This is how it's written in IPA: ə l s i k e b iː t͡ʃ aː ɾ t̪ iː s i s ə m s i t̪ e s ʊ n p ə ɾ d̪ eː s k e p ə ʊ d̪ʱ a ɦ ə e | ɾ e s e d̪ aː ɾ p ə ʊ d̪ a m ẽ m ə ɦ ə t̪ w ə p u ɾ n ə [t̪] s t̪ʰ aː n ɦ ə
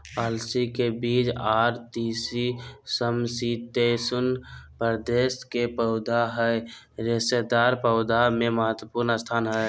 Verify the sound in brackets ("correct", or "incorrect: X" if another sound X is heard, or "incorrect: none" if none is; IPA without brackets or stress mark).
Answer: incorrect: none